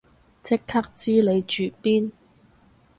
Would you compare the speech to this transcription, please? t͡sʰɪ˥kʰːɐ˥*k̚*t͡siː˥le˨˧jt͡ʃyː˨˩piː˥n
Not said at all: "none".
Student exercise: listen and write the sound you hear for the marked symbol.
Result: k̚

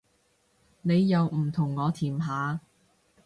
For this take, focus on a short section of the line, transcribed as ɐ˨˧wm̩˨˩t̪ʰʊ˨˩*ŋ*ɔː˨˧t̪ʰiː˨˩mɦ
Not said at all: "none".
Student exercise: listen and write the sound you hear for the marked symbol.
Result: ŋː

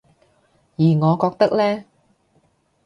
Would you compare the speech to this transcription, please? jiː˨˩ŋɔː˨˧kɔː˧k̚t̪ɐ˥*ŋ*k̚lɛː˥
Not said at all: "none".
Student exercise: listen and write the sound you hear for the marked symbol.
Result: none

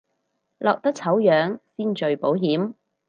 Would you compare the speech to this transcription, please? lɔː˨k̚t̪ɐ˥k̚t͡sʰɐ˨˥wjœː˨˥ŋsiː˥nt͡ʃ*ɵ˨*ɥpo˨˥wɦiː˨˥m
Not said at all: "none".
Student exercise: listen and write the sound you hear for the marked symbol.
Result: ɵ˨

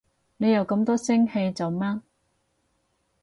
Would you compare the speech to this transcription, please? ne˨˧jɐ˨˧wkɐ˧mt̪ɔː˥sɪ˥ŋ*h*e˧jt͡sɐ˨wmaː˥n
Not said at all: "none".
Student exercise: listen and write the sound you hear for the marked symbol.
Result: h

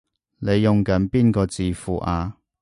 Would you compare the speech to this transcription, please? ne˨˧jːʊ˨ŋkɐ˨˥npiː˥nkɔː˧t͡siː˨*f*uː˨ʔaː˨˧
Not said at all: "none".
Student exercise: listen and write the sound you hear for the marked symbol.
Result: f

